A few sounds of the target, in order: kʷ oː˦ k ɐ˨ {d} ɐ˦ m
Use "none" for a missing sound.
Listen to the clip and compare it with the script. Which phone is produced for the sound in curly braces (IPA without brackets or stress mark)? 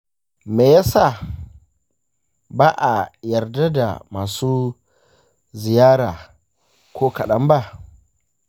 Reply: ɗ